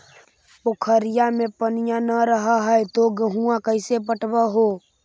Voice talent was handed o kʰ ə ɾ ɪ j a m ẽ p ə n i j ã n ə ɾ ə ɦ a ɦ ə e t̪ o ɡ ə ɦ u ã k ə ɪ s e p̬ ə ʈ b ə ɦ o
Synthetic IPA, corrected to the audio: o kʰ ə ɾ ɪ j a m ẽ p ə n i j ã n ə ɾ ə ɦ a ɦ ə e t̪ o ɡ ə ɦ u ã k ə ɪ s e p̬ ə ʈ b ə ɦ o